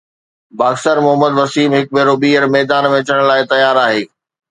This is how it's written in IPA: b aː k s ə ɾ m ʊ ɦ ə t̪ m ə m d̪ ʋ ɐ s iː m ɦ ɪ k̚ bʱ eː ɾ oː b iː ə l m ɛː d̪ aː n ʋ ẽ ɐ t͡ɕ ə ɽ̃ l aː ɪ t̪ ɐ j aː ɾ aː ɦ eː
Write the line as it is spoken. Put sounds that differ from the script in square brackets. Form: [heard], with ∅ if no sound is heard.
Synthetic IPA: b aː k s ə ɾ m ʊ ɦ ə [∅] m ə [∅] d̪ ʋ ɐ s iː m ɦ ɪ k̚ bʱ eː ɾ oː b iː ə [ɾ] m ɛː d̪ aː n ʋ ẽ ɐ t͡ɕ ə ɽ̃ l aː ɪ t̪ ɐ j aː ɾ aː ɦ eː